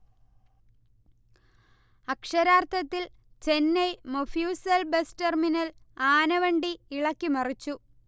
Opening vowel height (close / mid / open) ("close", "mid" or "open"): open